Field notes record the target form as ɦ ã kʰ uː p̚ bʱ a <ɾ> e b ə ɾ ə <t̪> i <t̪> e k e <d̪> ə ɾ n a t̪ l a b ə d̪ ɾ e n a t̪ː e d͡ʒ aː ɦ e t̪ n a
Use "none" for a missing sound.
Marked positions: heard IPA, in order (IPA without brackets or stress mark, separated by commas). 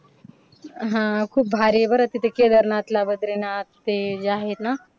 ɾ, t̪, t̪, d̪